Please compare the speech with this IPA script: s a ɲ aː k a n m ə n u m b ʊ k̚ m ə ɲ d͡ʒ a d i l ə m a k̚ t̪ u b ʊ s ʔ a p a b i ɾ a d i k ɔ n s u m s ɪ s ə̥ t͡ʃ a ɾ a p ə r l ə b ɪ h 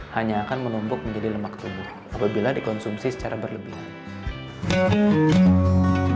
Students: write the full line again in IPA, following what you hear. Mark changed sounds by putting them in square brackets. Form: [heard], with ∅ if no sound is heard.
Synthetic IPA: [h] a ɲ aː k a n m ə n u m b ʊ k̚ m ə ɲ d͡ʒ a d i l ə m a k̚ t̪ u b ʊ [h] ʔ a p a b i [l] a d i k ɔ n s u m s [i] s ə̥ t͡ʃ a ɾ a [b] ə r l ə b ɪ h